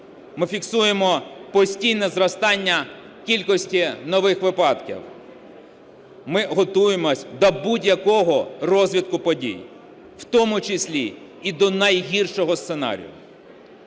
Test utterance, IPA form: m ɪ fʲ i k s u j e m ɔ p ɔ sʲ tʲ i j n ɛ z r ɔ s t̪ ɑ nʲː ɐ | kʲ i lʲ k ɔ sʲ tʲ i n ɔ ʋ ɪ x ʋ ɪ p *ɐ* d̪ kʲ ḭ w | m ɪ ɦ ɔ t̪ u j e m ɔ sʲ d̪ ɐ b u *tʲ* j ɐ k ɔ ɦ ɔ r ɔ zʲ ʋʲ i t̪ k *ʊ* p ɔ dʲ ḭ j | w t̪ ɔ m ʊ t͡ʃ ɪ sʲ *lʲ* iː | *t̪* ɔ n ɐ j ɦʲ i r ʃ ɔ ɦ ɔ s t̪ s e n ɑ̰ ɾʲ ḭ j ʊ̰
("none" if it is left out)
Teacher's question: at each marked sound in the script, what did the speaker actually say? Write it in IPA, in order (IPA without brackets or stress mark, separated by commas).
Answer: ɑ, dʲ, ʊ, lʲ, d̪